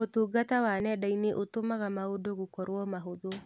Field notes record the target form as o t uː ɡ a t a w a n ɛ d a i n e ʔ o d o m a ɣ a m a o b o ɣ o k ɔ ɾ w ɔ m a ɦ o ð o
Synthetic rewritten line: o t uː ɡ a t a w a n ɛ d a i n e ʔ o t o m a ɣ a m a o d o ɣ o k ɔ ɾ w ɔ m a ɦ o ð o